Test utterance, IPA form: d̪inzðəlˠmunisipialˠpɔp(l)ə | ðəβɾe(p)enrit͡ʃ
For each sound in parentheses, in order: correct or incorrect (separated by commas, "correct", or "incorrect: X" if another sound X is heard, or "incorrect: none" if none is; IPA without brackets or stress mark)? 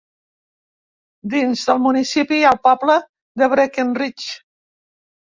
correct, incorrect: k